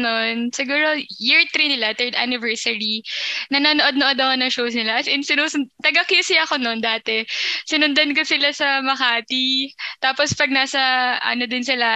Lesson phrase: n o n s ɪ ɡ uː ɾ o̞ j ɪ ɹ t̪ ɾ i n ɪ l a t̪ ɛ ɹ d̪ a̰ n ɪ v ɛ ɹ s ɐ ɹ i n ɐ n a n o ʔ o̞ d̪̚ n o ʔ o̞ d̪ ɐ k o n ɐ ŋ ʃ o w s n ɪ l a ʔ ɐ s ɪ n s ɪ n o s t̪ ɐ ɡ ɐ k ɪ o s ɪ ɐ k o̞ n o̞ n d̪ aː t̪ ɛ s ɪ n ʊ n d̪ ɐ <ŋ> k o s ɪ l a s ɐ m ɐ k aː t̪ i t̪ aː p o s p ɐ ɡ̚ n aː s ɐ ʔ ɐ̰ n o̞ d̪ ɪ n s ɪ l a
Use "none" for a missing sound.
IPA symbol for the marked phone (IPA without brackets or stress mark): n